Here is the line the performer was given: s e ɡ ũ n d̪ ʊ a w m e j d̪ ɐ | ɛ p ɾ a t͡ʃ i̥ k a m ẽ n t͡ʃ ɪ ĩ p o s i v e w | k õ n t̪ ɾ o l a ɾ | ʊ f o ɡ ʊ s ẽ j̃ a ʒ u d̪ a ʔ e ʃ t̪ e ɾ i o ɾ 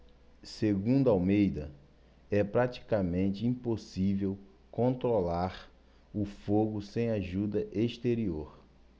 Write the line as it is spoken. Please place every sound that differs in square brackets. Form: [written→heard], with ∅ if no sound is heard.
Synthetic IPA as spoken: s e ɡ ũ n d̪ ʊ a w m e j d̪ ɐ | ɛ p ɾ a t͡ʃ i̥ k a m ẽ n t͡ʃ ɪ ĩ p o s i v e w | k õ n t̪ ɾ o l a ɾ | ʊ f o ɡ ʊ s ẽ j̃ a ʒ u d̪ [a→ɐ] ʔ e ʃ t̪ e ɾ i o ɾ